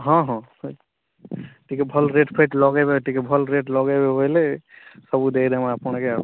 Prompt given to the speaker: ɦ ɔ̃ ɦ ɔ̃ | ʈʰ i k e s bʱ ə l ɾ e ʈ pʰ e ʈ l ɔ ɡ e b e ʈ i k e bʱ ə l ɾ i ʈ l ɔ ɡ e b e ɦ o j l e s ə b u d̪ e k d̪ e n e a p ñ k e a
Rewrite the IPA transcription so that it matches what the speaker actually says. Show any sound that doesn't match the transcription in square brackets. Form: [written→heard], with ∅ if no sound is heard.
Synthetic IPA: ɦ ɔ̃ ɦ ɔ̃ | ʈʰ i k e [s→∅] bʱ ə l ɾ e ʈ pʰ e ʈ l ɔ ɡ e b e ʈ i k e bʱ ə l ɾ [i→e] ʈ l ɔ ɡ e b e ɦ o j l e s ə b u d̪ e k d̪ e [n→m] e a p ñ k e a

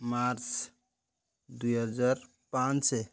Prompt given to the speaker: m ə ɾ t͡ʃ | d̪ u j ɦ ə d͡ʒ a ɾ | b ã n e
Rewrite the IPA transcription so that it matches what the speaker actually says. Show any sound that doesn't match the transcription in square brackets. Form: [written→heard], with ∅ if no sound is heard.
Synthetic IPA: m [ə→a] ɾ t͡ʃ | d̪ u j ɦ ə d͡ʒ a ɾ | [b→p] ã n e

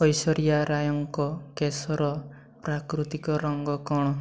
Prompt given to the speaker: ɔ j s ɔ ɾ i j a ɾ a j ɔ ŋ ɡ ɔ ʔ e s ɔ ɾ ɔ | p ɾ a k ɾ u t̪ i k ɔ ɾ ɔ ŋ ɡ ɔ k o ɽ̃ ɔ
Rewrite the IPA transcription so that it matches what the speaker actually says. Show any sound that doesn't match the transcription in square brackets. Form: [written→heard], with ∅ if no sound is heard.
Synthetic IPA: ɔ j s ɔ ɾ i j a ɾ a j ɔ ŋ [ɡ→k] ɔ [ʔ→k] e s ɔ ɾ ɔ | p ɾ a k ɾ u t̪ i k ɔ ɾ ɔ ŋ ɡ ɔ k [o→ɔ] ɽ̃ ɔ

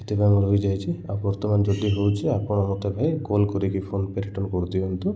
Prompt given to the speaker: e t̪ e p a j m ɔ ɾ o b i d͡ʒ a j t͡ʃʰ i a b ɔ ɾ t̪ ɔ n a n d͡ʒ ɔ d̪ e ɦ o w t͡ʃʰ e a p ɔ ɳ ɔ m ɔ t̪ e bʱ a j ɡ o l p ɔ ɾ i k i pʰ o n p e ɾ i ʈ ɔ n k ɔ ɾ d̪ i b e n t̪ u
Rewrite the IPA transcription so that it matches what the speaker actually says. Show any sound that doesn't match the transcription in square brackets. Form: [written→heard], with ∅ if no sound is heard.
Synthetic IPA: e t̪ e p a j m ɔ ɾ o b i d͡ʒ a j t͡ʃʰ i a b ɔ ɾ t̪ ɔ [n→m] a n d͡ʒ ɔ d̪ [e→i] ɦ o w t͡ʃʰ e a p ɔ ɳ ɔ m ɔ t̪ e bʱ a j ɡ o l [p→k] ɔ ɾ i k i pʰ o n p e ɾ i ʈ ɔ n k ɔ ɾ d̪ i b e n t̪ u

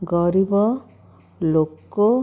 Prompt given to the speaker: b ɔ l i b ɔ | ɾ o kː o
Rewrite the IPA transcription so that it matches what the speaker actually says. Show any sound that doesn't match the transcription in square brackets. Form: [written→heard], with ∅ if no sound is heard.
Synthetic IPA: [b→ɡ] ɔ [l→ɾ] i b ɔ | [ɾ→l] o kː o

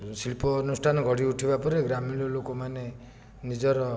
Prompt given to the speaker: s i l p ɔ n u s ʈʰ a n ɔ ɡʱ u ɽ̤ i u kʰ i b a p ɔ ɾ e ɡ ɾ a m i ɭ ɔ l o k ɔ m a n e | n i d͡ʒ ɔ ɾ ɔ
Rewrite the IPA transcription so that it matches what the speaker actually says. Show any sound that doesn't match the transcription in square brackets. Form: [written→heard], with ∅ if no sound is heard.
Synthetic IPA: s i l p ɔ n u s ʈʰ a n ɔ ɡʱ [u→ɔ] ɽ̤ i u [kʰ→ʈʰ] i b a p ɔ ɾ e ɡ ɾ a m i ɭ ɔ l o k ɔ m a n e | n i d͡ʒ ɔ ɾ ɔ

